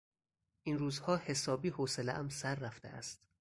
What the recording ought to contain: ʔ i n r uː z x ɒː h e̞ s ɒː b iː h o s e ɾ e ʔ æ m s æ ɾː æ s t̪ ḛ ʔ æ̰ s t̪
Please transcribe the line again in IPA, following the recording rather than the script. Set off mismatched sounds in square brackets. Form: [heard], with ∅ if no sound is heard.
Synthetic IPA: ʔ i n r uː z [h] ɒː h e̞ s ɒː b iː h o s e [l] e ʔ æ m s æ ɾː æ [f] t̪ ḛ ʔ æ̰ s t̪